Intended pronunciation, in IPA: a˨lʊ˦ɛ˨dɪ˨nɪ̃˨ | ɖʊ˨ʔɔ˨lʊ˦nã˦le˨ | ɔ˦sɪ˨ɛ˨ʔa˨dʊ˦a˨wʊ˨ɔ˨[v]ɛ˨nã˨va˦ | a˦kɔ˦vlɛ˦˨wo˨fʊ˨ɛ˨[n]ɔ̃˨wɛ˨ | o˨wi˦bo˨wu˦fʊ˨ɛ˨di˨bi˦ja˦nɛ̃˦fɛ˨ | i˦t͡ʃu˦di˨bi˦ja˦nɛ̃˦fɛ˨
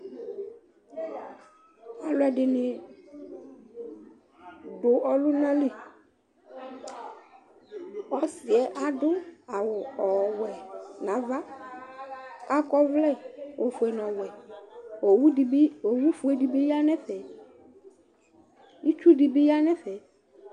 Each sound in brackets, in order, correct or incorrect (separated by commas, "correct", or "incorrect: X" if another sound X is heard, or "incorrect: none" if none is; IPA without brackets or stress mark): incorrect: w, correct